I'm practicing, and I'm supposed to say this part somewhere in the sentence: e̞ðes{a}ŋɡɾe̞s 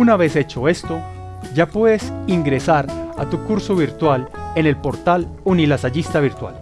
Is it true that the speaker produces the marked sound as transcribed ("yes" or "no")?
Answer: no